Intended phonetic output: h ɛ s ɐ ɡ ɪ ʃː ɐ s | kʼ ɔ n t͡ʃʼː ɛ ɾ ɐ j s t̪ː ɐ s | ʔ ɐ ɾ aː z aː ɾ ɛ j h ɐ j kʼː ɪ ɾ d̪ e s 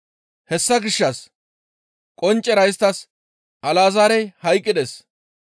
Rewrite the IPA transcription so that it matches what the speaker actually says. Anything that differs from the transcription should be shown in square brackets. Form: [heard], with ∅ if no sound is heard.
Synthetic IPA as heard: h ɛ [sː] ɐ ɡ ɪ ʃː ɐ s | kʼ ɔ n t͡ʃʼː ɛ ɾ ɐ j s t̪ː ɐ s | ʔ ɐ [l] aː z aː ɾ ɛ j h ɐ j kʼː ɪ [∅] d̪ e s